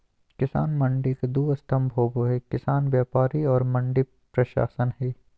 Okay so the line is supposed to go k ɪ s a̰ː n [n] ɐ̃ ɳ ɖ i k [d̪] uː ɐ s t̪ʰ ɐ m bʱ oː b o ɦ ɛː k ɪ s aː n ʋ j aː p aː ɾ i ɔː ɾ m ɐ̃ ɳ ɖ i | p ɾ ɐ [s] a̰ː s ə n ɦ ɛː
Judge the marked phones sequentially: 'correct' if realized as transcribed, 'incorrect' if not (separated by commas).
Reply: incorrect, correct, incorrect